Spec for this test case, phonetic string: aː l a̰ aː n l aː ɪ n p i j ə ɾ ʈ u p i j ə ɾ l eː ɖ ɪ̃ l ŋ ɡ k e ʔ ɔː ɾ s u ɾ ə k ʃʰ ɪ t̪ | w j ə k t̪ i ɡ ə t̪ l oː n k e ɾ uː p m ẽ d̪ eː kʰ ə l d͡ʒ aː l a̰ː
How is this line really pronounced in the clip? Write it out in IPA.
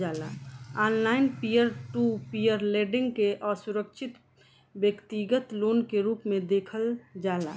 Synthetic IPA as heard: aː l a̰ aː n l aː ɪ n p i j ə ɾ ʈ u p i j ə ɾ l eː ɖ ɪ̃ ŋ ɡ k e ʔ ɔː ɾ s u ɾ ə k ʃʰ ɪ t̪ | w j ə k t̪ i ɡ ə t̪ l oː n k e ɾ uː p m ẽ d̪ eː kʰ ə l d͡ʒ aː l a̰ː